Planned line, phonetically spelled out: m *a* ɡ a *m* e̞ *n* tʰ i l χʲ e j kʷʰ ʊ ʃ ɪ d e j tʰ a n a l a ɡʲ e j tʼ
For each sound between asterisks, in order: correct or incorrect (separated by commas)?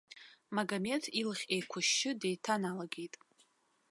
correct, correct, incorrect